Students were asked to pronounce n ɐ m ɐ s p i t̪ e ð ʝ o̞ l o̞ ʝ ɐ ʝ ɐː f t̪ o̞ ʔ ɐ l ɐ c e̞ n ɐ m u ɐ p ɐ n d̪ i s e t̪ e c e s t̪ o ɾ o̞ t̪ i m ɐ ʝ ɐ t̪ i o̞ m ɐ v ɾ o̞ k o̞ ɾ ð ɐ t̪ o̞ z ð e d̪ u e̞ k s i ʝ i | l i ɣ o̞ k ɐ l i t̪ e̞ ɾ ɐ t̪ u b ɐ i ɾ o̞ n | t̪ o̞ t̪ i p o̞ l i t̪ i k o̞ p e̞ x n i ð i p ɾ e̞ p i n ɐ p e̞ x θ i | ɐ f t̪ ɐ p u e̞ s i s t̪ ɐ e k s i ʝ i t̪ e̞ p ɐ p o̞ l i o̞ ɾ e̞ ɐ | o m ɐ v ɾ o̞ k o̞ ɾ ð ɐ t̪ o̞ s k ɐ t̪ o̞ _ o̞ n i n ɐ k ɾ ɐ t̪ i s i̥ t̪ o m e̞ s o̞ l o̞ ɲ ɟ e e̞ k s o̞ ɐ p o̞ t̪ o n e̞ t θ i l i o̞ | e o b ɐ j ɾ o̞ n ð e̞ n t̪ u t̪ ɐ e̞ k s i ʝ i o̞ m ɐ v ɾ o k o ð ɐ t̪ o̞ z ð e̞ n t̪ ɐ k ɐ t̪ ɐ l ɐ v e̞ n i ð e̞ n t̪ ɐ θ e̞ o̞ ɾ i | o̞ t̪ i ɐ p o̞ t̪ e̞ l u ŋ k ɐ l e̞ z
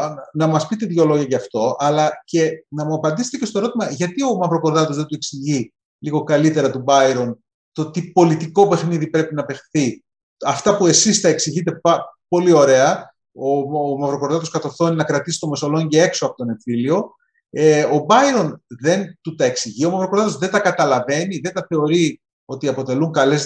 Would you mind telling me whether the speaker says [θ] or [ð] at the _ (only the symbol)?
θ